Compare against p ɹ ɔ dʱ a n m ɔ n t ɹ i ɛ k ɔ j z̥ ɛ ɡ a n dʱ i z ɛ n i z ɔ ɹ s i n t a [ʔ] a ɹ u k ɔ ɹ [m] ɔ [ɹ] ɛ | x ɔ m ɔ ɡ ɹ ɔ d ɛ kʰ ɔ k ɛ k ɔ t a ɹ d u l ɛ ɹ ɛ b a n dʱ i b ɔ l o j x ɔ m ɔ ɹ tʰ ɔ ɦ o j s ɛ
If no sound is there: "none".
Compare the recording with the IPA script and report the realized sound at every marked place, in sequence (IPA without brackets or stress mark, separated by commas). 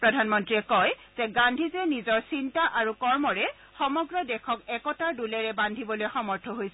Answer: ʔ, m, ɹ